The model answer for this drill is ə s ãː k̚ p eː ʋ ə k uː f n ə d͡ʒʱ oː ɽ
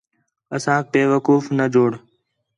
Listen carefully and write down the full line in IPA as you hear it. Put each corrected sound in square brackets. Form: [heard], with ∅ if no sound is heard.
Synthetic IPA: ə s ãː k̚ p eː ʋ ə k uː f n ə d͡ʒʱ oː ɽ